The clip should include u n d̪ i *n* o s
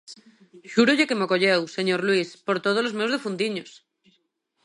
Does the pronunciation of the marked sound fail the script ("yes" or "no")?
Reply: yes